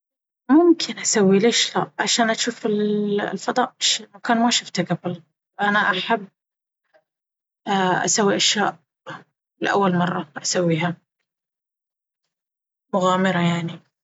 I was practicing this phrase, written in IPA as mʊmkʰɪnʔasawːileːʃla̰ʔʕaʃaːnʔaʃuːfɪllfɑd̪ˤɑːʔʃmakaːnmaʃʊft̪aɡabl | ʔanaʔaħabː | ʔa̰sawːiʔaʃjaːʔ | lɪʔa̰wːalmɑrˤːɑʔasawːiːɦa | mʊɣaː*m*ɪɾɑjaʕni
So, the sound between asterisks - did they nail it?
yes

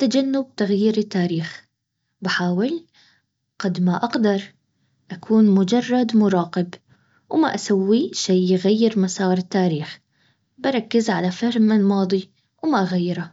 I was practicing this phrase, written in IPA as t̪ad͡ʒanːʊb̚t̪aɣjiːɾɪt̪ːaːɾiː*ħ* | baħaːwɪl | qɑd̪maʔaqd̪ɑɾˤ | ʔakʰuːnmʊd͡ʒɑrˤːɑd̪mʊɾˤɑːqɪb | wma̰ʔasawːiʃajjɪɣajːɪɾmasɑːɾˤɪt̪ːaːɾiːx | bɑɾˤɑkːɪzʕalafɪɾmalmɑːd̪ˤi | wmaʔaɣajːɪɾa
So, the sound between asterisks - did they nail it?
no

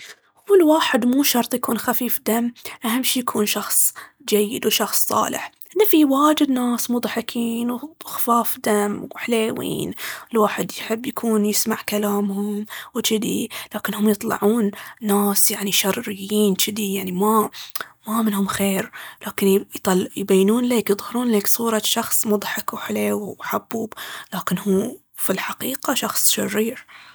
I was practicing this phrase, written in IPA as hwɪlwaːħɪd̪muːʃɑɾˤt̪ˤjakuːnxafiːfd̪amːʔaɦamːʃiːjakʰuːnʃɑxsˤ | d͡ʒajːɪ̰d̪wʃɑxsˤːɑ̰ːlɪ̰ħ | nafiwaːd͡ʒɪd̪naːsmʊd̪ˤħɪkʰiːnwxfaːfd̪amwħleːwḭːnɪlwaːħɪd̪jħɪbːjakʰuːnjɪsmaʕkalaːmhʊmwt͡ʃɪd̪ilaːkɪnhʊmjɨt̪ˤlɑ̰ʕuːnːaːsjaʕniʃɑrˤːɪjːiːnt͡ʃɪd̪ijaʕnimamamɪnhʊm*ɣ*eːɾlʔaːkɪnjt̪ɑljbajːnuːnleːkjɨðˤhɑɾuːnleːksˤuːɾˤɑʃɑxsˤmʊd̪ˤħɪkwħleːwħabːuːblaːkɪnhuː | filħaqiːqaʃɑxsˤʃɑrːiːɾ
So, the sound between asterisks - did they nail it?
no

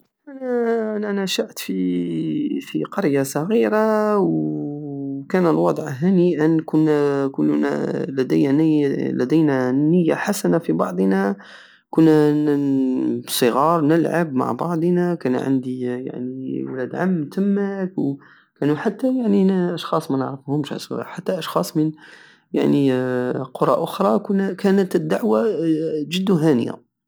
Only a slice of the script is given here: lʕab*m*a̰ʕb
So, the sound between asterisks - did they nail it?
yes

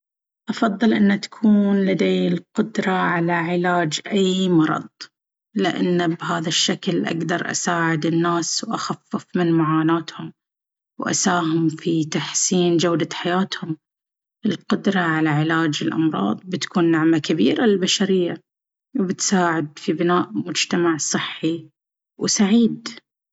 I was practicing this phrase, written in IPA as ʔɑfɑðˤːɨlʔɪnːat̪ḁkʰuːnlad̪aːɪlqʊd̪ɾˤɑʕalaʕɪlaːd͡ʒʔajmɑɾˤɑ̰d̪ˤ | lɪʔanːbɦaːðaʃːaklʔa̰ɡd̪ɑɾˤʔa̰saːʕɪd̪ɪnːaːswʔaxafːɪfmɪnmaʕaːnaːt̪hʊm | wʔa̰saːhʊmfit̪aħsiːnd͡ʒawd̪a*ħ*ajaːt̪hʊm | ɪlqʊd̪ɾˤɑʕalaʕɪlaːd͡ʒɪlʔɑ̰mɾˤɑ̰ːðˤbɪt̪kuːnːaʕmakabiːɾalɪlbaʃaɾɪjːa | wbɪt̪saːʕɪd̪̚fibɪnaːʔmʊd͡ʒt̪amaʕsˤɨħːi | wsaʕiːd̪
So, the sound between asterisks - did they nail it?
yes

